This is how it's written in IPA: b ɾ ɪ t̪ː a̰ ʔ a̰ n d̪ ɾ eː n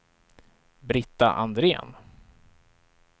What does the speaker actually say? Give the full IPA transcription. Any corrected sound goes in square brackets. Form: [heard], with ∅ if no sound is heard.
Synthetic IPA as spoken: b ɾ ɪ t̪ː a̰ ʔ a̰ n d̪ ɾ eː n